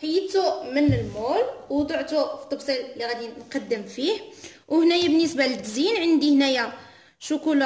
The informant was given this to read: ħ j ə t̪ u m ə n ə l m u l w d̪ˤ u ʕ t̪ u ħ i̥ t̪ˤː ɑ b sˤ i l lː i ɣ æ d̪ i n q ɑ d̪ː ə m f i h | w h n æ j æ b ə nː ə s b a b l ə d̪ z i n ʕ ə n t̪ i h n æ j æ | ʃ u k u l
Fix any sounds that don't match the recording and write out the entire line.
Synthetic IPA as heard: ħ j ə t̪ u m ə n ə l m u l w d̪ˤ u ʕ t̪ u f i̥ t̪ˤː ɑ b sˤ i l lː i ɣ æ d̪ i n q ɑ d̪ː ə m f i h | w h n æ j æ b ə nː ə s b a l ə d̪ z i n ʕ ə n d̪ i h n æ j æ | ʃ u k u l

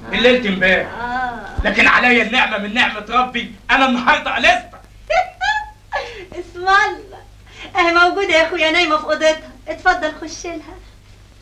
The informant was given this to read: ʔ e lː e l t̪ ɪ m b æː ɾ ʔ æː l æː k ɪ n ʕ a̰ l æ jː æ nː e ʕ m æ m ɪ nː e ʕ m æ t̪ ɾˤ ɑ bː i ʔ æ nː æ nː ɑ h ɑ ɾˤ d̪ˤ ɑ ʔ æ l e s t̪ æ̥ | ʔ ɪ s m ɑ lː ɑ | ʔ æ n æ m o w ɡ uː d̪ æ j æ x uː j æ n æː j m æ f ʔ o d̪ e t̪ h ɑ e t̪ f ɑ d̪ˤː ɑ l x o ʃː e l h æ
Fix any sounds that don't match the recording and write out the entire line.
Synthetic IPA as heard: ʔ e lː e l t̪ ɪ m b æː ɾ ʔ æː l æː k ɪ n ʕ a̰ l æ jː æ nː e ʕ m æ m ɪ nː e ʕ m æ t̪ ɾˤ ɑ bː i ʔ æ n æ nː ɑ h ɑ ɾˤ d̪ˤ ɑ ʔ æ l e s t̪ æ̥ | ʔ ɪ s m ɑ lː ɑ | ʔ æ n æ m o w ɡ uː d̪ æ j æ x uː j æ n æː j m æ f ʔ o d̪ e t̪ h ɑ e t̪ f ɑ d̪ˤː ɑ l x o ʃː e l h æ

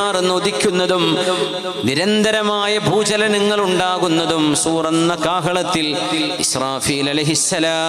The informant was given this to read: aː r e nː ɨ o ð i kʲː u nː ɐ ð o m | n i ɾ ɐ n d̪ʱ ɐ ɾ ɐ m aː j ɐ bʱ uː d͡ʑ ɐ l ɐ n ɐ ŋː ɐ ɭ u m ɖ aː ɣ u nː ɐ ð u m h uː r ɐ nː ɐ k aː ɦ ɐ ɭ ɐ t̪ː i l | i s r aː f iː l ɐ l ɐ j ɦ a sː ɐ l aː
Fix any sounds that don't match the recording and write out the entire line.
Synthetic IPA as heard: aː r e nː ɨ o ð i kʲː u nː ɐ ð u m | n i ɾ ɐ n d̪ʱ ɐ ɾ ɐ m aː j ɐ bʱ uː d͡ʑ ɐ l ɐ n ɐ ŋː ɐ ɭ u ɳ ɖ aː ɣ u nː ɐ ð u m s uː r ɐ nː ɐ k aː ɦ ɐ ɭ ɐ t̪ː i l | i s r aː f iː l ɐ l ɐ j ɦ i sː ɐ l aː

